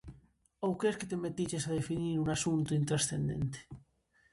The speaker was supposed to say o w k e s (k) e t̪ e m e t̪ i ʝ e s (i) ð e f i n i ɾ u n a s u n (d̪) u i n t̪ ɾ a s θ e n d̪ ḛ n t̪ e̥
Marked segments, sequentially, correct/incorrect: correct, incorrect: a, incorrect: t̪

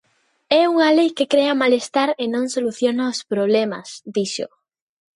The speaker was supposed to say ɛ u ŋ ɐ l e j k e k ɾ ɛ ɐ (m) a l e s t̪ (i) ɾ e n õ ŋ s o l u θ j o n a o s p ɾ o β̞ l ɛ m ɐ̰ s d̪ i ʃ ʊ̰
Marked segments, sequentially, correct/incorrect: correct, incorrect: a

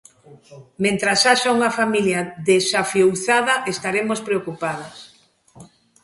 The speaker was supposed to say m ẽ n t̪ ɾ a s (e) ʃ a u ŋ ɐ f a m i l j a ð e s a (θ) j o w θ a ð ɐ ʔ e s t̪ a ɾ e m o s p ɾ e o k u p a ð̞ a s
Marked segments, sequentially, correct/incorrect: incorrect: a, incorrect: f

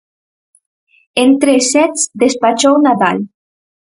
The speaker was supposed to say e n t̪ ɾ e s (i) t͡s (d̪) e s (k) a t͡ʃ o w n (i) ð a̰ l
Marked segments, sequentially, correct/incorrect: incorrect: ɛ, correct, incorrect: p, incorrect: a

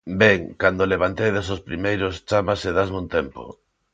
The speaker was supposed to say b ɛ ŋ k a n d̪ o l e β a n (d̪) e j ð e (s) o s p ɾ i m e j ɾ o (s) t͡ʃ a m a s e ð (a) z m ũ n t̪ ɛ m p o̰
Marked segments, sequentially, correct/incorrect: incorrect: t̪, correct, correct, correct

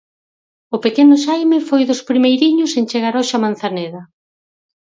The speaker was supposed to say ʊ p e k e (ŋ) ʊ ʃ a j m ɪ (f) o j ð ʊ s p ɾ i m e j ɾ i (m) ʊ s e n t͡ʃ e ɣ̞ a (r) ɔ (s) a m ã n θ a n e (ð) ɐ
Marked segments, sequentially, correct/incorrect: incorrect: n, correct, incorrect: ɲ, incorrect: ɾ, incorrect: ʃ, correct

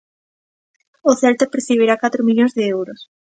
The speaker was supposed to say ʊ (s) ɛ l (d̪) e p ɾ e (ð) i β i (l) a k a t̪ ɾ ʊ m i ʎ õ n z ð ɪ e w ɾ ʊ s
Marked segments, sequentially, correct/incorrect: incorrect: θ, incorrect: t̪, incorrect: θ, incorrect: ɾ

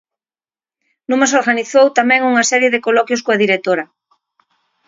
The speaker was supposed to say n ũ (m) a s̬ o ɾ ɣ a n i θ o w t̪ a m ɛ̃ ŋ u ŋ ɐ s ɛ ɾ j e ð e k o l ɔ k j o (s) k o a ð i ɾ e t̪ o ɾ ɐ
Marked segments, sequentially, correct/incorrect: correct, correct

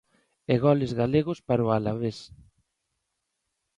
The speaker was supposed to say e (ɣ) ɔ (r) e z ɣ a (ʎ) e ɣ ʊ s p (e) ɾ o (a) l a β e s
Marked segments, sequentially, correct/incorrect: correct, incorrect: l, incorrect: l, incorrect: a, correct

